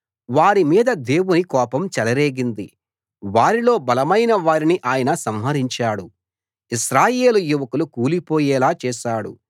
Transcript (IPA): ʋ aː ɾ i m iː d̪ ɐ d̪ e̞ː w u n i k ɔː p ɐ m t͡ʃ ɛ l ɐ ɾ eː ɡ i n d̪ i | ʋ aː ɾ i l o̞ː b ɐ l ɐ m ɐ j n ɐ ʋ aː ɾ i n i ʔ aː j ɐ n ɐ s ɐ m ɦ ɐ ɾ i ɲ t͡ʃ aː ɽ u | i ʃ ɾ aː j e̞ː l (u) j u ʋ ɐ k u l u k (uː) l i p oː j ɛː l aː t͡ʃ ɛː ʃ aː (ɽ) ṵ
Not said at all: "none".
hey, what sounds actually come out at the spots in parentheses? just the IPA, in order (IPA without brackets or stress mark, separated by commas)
u, uː, ɽ